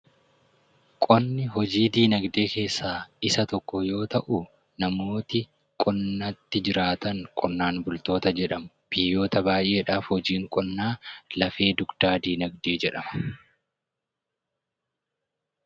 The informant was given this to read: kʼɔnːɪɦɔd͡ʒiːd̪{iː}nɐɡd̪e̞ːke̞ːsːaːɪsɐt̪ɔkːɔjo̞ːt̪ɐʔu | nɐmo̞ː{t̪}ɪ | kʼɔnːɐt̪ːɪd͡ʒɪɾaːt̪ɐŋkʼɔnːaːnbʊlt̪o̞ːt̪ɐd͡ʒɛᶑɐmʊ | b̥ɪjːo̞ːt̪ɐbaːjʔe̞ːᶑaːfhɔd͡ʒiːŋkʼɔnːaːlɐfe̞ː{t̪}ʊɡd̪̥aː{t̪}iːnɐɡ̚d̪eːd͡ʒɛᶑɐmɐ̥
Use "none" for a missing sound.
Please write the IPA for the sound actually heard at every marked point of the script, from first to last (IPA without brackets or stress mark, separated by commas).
iː, t̪, d̪, d̪